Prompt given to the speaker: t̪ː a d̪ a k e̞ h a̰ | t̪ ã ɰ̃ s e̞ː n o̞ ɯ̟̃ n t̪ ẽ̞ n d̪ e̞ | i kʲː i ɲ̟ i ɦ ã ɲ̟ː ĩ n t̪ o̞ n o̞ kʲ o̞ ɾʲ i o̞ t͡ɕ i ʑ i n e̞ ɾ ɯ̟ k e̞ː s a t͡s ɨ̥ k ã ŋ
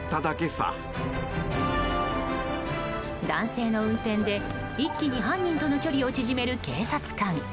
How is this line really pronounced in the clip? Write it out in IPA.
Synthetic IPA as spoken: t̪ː a d̪ a k e̞ s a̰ | d̪ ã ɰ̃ s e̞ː n o̞ ɯ̟̃ n t̪ ẽ̞ n d̪ e̞ | i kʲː i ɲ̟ i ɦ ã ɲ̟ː ĩ n t̪ o̞ n o̞ kʲ o̞ ɾʲ i o̞ t͡ɕ i ʑ i m e̞ ɾ ɯ̟ k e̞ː s a t͡s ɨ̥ k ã ŋ

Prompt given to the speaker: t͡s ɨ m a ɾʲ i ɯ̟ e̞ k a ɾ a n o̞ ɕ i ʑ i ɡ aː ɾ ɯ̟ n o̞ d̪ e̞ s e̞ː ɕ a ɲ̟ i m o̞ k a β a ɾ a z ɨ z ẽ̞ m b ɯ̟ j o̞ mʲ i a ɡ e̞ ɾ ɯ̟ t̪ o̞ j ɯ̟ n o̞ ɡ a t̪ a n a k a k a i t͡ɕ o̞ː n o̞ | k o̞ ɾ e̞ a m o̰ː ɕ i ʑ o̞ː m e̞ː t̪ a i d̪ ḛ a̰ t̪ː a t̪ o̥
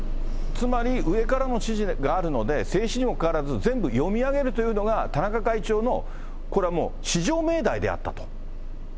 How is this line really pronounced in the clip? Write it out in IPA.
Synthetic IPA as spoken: t͡s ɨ m a ɾʲ i ɯ̟ e̞ k a ɾ a n o̞ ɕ i ʑ i ɡ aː ɾ ɯ̟ n o̞ d̪ e̞ s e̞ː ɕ i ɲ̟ i m o̞ k a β a ɾ a z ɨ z ẽ̞ m b ɯ̟ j o̞ mʲ i a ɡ e̞ ɾ ɯ̟ t̪ o̞ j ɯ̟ n o̞ ɡ a t̪ a n a k a k a i t͡ɕ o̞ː n o̞ | k o̞ ɾ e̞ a m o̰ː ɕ i ʑ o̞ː m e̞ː d̪ a i d̪ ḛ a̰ t̪ː a t̪ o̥

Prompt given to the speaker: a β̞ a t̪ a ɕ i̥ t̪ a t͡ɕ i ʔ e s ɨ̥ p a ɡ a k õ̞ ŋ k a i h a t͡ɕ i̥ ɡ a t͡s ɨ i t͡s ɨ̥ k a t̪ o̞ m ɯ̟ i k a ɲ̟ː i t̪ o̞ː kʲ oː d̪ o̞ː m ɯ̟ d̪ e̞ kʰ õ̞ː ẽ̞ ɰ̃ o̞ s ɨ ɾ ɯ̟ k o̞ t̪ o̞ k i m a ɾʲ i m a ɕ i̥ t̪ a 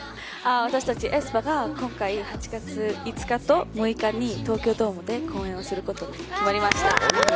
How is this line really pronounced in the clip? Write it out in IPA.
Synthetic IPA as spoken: a β̞ a t̪ a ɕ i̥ t̪ a t͡ɕ i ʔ e s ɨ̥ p a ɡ a k õ̞ ŋ k a i h a t͡ɕ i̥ ɡ a t͡s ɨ i t͡s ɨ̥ k a t̪ o̞ m ɯ̟ i k a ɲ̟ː i t̪ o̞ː kʲ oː d̪ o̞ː m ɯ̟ d̪ e̞ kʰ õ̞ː ẽ̞ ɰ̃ o̞ s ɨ ɾ ɯ̟ k o̞ t̪ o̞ k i m a ɾʲ i m a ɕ i̥ t̪ a

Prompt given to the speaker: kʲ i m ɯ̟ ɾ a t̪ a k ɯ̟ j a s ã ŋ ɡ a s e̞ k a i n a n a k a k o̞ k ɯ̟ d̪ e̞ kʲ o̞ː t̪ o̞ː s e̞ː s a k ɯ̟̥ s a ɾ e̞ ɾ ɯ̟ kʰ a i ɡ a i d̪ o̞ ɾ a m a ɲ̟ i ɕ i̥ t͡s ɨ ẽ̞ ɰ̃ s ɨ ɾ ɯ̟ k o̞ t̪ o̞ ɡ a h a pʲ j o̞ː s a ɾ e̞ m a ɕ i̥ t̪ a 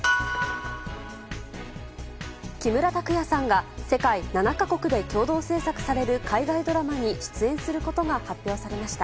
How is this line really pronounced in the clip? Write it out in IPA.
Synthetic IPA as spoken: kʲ i m ɯ̟ ɾ a t̪ a k ɯ̟ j a s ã ŋ ɡ a s e̞ k a i n a n a k a k o̞ k ɯ̟ d̪ e̞ kʲ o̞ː d̪ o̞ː s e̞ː s a k ɯ̟̥ s a ɾ e̞ ɾ ɯ̟ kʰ a i ɡ a i d̪ o̞ ɾ a m a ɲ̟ i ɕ i̥ t͡s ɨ ẽ̞ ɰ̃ s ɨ ɾ ɯ̟ k o̞ t̪ o̞ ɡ a h a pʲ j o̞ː s a ɾ e̞ m a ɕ i̥ t̪ a

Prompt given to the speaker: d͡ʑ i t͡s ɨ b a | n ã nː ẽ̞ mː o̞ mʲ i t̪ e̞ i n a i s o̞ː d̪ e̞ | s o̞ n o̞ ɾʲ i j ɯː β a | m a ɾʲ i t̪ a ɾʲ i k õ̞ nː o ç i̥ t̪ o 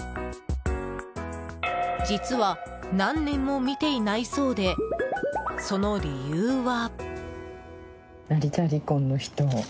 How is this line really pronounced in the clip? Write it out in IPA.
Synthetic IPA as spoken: d͡ʑ i t͡s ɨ β a | n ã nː ẽ̞ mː o̞ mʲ i t̪ e̞ i n a i s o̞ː d̪ e̞ | s o̞ n o̞ ɾʲ i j ɯː β a | n a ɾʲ i t̪ a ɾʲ i k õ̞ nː o ç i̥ t̪ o

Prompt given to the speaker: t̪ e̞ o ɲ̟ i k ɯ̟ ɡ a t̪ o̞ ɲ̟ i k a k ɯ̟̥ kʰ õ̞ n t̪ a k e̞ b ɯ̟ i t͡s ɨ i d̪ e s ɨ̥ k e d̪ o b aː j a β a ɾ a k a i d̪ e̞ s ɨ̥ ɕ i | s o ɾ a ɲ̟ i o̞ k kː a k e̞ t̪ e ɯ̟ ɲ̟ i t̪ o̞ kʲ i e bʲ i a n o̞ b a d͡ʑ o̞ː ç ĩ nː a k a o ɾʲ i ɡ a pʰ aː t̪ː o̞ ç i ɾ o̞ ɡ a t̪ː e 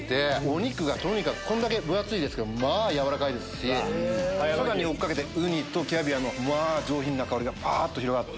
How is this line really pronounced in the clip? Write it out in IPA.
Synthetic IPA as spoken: t̪ e̞ o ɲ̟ i k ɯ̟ ɡ a t̪ o̞ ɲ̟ i k a k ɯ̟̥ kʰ õ̞ n d̪ a k e̞ b ɯ̟ a t͡s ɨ i d̪ e s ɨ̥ k e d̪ o m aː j a β a ɾ a k a i d̪ e̞ s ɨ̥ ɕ i | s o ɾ a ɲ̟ i o̞ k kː a k e̞ t̪ e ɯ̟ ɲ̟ i t̪ o̞ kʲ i a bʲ i a n o̞ m a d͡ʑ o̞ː ç ĩ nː a k a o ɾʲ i ɡ a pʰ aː t̪ː o̞ ç i ɾ o̞ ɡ a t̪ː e

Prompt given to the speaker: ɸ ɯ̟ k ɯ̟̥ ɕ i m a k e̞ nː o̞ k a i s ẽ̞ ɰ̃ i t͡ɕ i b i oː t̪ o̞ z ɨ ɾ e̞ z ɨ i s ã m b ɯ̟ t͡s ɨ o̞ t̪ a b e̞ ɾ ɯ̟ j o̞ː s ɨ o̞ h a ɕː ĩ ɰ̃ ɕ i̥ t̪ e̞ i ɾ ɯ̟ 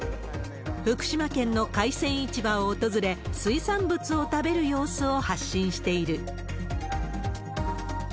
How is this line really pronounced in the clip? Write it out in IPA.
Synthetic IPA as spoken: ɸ ɯ̟ k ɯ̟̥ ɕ i m a k ẽ̞ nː o̞ k a i s ẽ̞ ɰ̃ i t͡ɕ i b a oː t̪ o̞ z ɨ ɾ e̞ s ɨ i s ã m b ɯ̟ t͡s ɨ o̞ t̪ a b e̞ ɾ ɯ̟ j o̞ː s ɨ o̞ h a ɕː ĩ ɰ̃ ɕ i̥ t̪ e̞ i ɾ ɯ̟

